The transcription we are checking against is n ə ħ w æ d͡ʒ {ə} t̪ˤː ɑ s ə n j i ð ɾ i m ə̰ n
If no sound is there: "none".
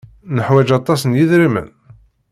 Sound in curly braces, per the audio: ɑ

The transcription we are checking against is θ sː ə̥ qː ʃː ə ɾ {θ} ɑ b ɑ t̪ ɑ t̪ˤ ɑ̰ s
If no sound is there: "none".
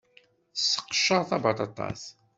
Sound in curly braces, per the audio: θ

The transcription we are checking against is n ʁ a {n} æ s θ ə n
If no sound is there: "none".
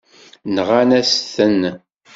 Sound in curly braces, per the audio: n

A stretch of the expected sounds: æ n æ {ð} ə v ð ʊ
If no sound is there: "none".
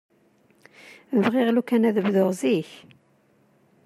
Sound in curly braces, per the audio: ð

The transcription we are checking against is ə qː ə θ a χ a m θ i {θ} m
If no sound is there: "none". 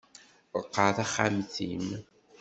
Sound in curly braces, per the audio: none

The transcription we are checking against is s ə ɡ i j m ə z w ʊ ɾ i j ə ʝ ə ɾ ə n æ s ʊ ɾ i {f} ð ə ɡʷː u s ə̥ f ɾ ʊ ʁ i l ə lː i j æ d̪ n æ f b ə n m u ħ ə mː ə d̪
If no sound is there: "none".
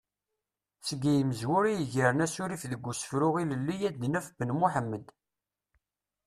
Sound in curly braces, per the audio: f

